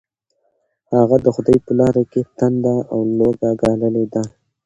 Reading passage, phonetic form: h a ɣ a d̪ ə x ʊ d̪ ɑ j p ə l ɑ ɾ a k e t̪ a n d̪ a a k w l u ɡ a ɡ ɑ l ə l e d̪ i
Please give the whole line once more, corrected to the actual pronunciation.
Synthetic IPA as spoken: h a ɣ a d̪ ə x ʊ d̪ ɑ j p ə l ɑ ɾ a k e t̪ a n d̪ a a w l o ɡ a ɡ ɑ l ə l e d̪ a